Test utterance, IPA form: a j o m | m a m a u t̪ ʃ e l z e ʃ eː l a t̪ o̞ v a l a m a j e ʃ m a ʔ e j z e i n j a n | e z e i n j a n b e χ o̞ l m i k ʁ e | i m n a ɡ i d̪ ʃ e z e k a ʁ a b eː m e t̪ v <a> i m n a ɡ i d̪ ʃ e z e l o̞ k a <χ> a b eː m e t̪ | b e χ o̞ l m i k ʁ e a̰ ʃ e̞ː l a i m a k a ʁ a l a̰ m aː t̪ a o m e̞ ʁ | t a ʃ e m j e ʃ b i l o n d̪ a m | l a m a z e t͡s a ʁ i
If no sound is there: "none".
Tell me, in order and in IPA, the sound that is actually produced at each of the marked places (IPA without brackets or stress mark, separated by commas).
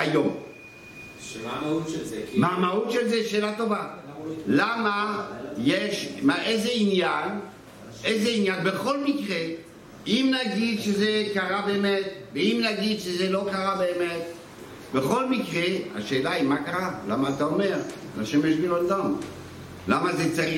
e, ʁ